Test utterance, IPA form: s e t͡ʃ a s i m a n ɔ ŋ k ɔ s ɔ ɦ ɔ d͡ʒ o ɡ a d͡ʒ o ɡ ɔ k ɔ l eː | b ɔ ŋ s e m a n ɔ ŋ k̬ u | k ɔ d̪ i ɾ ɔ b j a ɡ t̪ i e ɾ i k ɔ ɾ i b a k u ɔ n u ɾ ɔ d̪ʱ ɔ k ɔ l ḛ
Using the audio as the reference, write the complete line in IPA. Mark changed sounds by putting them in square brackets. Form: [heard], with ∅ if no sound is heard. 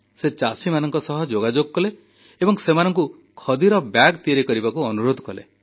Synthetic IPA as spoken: s e t͡ʃ a s i m a n ɔ ŋ k ɔ s ɔ ɦ ɔ d͡ʒ o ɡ a d͡ʒ o ɡ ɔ k ɔ l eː | b ɔ ŋ s e m a n ɔ ŋ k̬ u | [kʰ] ɔ d̪ i ɾ ɔ b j a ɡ t̪ i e ɾ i k ɔ ɾ i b a k u ɔ n u ɾ [o] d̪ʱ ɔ k ɔ l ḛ